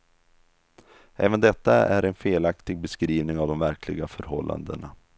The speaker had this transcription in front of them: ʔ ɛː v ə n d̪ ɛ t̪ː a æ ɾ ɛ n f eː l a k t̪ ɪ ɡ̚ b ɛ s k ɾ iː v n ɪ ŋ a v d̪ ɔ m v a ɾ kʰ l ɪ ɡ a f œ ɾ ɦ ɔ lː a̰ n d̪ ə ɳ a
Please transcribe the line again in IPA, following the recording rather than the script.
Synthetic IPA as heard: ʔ ɛː v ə n d̪ ɛ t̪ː a æ ɾ ɛ n f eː l a k t̪ ɪ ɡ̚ b ɛ s k ɾ iː v n ɪ ŋ a v d̪ ɔ m v æ ɾ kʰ l ɪ ɡ a f œ ɾ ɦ ɔ lː a̰ n d̪ ə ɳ a